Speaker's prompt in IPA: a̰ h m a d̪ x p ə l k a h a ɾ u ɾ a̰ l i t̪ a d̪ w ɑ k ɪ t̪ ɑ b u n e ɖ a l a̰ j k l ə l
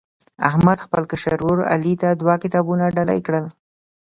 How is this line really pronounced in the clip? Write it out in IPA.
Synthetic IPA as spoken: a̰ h m a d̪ x p ə l k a ʃ a ɾ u ɾ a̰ l i t̪ a d̪ w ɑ k ɪ t̪ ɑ b u n a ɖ a l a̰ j k ɽ ə l